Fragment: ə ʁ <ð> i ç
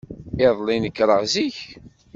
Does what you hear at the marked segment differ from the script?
yes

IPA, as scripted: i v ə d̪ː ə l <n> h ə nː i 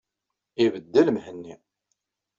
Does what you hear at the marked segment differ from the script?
yes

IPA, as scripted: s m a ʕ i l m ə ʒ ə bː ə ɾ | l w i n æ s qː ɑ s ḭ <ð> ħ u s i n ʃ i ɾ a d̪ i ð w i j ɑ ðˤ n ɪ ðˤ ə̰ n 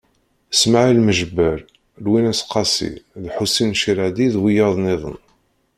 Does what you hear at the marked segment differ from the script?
no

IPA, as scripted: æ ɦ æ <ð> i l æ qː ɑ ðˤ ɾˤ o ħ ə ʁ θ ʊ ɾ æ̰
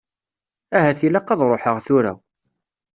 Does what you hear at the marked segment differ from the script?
yes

